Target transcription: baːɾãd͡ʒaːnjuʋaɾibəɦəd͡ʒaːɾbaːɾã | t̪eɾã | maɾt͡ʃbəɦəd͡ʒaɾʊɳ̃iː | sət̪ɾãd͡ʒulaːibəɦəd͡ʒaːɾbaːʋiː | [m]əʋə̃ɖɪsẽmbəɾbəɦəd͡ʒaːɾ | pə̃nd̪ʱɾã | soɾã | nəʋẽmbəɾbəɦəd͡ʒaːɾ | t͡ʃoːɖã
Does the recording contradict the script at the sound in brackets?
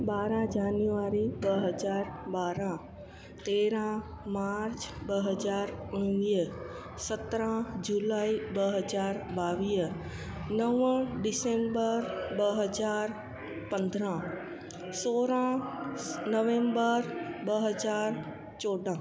yes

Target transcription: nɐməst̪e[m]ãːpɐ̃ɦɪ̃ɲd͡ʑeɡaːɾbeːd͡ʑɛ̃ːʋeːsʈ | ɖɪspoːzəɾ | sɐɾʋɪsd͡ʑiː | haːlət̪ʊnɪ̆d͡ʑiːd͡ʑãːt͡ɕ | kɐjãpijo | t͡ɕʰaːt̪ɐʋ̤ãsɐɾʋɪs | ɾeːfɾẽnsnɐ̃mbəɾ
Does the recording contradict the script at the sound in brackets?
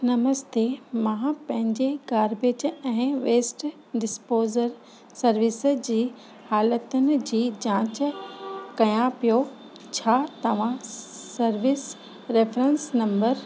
no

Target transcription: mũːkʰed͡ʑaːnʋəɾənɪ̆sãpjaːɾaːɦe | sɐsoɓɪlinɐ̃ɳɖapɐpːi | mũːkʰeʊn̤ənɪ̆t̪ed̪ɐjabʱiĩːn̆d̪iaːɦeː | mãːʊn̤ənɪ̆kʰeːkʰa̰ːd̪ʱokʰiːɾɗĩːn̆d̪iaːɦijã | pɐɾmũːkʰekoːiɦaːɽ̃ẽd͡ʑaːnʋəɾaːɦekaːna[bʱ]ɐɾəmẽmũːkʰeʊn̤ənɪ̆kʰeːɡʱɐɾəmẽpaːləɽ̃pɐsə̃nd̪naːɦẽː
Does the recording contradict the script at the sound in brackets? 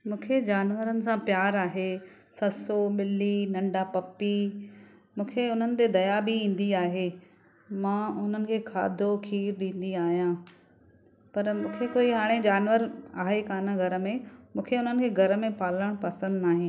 yes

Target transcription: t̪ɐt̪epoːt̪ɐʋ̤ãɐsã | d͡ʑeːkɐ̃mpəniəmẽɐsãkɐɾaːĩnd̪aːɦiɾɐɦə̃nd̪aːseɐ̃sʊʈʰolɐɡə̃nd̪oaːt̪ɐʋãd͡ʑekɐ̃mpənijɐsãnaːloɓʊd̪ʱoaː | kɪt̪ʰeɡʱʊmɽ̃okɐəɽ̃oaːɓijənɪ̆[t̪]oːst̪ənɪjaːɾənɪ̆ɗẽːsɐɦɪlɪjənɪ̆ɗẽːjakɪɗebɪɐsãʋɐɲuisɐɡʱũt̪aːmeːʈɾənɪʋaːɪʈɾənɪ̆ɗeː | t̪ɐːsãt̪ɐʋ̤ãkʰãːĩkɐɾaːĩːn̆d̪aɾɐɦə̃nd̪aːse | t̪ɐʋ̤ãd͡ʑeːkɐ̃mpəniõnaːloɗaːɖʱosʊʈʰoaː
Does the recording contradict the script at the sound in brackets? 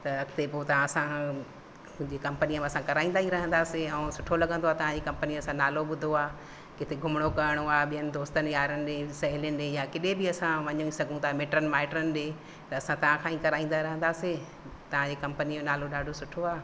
yes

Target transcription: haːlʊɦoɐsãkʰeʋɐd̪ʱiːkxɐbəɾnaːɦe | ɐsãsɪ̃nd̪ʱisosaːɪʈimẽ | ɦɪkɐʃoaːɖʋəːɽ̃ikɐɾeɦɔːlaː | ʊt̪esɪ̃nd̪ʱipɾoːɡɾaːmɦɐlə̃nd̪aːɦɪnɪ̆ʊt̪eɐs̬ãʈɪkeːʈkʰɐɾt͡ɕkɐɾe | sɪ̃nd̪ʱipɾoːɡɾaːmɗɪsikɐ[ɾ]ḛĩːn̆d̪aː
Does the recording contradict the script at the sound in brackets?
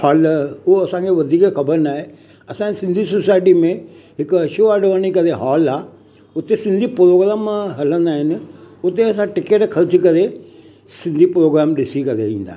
no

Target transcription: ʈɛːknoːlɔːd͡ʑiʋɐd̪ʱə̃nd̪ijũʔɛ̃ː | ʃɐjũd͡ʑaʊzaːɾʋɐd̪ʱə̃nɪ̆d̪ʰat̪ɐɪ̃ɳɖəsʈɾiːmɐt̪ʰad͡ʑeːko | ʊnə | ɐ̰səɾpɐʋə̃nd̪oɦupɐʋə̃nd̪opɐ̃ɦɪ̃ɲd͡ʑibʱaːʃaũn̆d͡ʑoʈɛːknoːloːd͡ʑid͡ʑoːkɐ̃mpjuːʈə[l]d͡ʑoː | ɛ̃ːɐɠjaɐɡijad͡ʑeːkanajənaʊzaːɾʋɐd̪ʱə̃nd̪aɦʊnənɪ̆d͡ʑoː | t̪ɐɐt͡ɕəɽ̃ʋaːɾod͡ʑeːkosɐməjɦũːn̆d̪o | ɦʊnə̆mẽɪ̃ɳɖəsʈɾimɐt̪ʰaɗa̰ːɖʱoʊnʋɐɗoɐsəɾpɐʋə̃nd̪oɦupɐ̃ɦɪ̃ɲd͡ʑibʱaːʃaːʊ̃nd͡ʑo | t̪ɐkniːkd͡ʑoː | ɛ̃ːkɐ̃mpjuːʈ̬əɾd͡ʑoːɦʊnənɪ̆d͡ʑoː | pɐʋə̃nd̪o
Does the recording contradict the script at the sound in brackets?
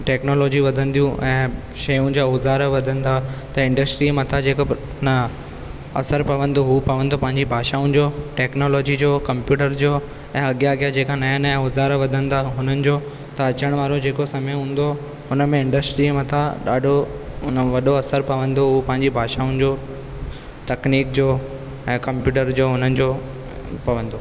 yes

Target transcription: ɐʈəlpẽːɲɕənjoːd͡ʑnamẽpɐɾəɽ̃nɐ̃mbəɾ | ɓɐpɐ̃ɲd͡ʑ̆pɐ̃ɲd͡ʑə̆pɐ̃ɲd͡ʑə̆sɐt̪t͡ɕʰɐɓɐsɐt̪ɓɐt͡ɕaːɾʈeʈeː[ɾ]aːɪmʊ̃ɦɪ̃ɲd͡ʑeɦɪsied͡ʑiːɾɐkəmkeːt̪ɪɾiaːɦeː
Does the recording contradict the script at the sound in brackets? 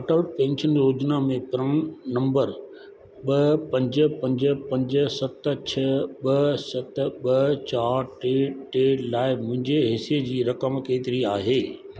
yes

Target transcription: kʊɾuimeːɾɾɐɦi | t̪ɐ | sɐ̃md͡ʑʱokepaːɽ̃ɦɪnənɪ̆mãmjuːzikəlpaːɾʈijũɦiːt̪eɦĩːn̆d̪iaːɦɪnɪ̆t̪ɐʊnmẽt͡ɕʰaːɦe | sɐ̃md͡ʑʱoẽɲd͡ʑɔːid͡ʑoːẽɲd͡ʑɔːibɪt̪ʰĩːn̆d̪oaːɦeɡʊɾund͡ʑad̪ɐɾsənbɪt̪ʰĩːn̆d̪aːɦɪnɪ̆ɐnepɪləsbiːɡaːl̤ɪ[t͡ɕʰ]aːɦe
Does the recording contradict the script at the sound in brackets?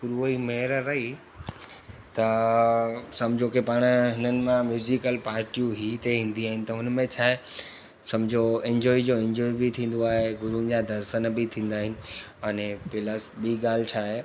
no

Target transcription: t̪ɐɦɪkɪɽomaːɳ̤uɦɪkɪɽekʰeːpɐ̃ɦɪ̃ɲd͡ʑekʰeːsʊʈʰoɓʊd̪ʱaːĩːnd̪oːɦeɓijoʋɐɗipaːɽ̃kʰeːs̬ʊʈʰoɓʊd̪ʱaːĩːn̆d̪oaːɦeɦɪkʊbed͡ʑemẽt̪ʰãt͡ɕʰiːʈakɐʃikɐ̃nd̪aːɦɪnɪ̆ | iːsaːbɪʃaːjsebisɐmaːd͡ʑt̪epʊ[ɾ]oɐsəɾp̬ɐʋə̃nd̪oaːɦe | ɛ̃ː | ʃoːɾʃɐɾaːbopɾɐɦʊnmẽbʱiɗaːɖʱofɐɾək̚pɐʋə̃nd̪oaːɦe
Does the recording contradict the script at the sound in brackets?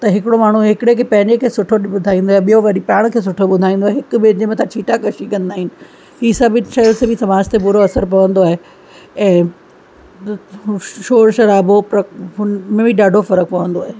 no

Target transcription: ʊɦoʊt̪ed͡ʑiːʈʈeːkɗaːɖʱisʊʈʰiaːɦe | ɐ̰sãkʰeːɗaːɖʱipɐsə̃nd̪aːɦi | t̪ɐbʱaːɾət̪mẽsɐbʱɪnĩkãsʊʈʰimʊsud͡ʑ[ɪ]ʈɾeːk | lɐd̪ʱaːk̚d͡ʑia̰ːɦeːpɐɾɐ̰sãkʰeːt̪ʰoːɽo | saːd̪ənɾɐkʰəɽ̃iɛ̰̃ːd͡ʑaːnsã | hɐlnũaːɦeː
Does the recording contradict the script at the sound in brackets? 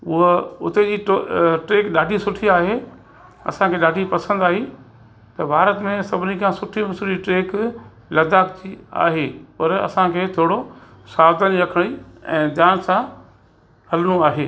yes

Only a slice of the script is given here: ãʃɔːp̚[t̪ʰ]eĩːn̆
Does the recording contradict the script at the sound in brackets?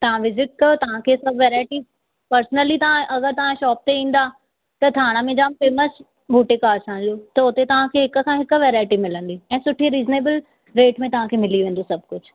yes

